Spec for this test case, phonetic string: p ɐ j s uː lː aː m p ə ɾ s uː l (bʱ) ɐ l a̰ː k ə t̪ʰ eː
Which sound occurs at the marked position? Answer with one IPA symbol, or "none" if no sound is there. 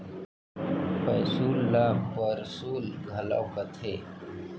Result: ɡʱ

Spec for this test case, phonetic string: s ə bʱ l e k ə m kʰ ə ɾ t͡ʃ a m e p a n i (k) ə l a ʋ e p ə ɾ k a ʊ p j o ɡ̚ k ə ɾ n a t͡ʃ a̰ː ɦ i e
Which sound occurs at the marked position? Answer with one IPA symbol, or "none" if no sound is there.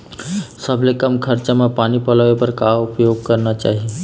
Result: p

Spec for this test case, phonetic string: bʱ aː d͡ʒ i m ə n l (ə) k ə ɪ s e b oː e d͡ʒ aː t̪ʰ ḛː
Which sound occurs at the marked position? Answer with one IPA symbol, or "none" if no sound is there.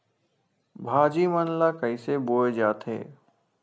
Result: a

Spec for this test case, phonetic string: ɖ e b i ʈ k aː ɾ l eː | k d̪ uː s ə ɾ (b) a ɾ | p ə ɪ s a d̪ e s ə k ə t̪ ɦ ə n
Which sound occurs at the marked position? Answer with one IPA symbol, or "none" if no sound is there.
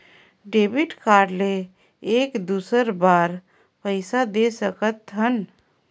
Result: b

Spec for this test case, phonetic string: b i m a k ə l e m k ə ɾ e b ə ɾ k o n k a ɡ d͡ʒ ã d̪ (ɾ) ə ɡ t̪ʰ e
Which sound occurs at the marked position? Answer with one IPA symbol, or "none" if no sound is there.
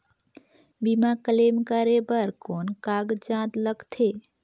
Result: l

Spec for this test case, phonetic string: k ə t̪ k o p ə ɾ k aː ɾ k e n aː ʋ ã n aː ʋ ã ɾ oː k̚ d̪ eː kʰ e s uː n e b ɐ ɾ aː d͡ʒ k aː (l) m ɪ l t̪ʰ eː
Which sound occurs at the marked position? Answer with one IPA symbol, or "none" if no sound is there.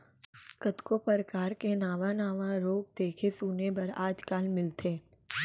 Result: l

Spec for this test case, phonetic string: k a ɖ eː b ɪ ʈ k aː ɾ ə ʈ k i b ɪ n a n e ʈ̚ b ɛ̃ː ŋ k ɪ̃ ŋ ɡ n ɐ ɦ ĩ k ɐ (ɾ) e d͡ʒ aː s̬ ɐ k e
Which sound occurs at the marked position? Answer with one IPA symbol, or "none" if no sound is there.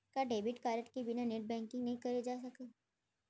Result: ɾ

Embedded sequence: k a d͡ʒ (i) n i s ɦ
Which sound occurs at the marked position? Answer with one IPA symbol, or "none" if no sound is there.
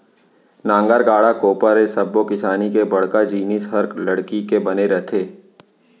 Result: iː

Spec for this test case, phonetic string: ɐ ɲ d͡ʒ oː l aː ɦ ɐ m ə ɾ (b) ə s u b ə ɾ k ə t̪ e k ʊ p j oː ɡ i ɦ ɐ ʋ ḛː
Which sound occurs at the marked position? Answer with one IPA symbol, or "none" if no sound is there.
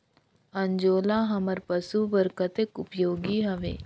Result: p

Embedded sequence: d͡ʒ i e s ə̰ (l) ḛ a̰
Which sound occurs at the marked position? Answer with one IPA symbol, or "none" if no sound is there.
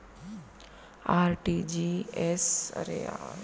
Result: ɾ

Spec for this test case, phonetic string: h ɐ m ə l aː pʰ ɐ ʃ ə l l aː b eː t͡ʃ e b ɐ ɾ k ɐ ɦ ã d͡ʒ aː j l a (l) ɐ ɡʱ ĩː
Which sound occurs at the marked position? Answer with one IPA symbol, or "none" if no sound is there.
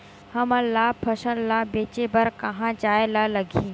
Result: l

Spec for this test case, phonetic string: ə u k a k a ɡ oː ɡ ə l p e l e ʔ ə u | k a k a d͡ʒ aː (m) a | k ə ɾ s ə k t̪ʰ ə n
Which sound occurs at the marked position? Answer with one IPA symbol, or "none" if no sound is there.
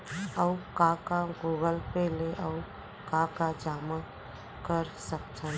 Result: m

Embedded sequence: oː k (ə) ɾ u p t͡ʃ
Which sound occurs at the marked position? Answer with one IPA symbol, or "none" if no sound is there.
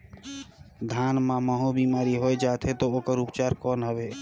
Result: ə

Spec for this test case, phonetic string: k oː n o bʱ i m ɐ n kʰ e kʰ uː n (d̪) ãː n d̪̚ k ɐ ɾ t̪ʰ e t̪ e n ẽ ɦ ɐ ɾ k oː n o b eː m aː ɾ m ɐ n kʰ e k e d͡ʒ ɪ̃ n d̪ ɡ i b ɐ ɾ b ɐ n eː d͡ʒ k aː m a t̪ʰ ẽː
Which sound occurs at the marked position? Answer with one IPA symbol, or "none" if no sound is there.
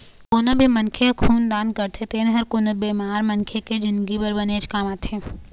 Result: d̪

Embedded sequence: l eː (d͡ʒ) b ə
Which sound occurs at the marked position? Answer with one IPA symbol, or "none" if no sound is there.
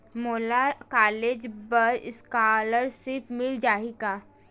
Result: d͡ʒ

